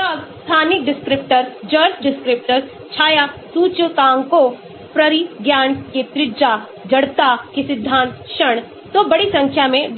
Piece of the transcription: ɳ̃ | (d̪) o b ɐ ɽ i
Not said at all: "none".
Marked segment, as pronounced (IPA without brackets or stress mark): t̪